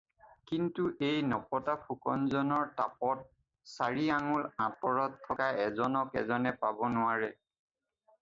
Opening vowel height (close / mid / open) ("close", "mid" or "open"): close